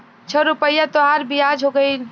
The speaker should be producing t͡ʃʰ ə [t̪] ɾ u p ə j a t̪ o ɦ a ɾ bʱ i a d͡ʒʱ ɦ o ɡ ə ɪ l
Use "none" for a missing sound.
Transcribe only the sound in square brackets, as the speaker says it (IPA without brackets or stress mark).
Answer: none